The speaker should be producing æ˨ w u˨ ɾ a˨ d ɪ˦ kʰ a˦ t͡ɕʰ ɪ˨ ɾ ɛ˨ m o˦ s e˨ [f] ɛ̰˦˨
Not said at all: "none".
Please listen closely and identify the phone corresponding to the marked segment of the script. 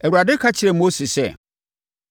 s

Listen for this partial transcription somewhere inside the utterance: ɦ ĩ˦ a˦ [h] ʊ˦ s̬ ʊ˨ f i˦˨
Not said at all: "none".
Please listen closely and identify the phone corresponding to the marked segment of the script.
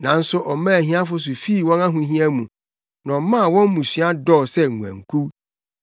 f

